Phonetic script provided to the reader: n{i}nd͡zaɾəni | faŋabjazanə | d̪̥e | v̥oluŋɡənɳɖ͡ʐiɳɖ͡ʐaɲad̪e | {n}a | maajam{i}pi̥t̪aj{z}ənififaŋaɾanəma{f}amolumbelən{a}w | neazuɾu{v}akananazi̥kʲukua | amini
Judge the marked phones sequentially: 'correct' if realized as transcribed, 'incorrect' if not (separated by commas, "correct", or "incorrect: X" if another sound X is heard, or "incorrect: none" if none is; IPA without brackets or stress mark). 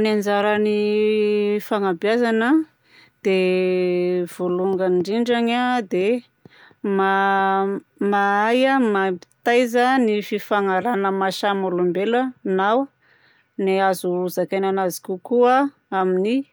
incorrect: a, incorrect: m, incorrect: a, correct, incorrect: ʃ, correct, incorrect: z